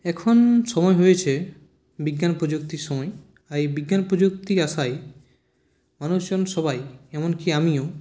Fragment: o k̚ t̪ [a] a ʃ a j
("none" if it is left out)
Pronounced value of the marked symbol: i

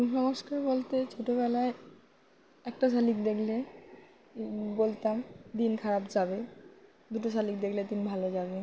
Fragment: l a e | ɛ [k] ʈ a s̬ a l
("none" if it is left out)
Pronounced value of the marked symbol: k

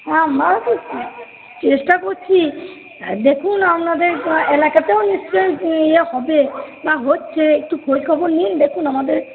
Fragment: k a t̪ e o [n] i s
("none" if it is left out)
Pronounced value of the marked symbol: n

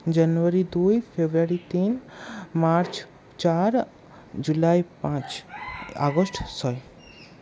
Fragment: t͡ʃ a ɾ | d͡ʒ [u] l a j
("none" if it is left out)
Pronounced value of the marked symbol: u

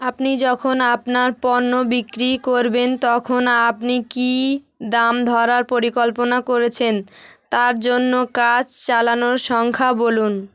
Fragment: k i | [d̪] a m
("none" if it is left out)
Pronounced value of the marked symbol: d̪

